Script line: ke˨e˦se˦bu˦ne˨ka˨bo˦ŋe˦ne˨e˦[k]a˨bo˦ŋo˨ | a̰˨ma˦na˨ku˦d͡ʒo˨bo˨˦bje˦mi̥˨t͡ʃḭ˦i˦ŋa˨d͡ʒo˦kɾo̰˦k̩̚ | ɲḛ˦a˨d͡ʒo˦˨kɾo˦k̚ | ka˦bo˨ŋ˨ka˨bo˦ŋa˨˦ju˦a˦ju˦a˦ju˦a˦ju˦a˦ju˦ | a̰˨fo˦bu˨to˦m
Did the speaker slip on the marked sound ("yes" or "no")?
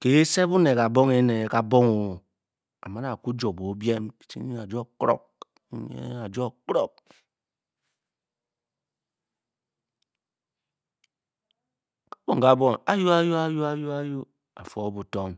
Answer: no